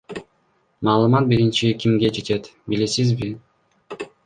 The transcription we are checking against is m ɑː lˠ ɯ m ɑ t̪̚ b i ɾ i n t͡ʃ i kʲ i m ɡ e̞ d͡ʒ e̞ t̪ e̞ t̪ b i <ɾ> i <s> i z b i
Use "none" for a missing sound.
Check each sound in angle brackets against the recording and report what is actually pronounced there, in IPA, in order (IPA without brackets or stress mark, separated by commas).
l, s